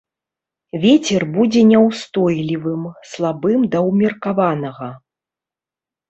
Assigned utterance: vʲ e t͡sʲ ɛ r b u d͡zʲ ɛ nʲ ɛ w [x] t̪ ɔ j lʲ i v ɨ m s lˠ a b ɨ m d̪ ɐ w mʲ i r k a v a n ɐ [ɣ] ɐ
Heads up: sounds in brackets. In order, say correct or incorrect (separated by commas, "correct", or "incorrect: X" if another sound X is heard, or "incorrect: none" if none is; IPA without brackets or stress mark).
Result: incorrect: s, correct